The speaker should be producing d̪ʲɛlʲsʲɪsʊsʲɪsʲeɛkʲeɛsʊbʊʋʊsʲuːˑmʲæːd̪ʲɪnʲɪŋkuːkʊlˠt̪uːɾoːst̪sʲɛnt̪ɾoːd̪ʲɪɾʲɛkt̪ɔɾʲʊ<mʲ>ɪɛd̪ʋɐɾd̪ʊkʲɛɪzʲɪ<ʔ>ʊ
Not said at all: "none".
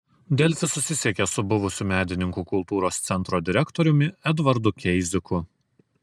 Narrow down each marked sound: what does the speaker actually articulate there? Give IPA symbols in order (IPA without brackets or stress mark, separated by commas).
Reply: mʲ, k